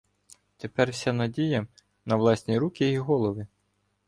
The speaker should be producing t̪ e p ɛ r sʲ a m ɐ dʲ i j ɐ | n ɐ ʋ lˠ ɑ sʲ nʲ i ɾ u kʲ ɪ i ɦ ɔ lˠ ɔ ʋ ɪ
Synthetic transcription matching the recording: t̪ e p ɛ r sʲ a n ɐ dʲ i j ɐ | n ɐ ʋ lˠ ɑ sʲ nʲ i ɾ u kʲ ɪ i ɦ ɔ lˠ ɔ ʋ ɪ